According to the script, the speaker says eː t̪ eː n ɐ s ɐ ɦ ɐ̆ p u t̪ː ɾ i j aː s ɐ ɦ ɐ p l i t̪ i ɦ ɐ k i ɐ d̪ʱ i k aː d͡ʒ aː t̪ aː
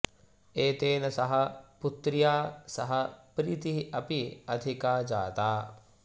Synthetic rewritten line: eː t̪ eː n ɐ s ɐ ɦ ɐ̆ p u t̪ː ɾ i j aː s ɐ ɦ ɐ p ɾ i t̪ i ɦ ɐ p i ɐ d̪ʱ i k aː d͡ʒ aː t̪ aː